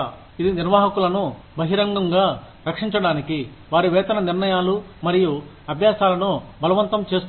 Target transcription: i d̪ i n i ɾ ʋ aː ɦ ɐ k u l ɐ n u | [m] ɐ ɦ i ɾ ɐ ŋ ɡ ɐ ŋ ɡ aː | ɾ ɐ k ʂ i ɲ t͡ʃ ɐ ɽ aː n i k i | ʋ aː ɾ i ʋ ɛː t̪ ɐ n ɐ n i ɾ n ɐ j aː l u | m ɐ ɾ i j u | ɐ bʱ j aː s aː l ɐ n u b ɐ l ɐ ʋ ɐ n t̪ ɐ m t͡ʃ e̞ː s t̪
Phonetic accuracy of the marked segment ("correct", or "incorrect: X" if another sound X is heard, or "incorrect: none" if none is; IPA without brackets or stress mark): incorrect: b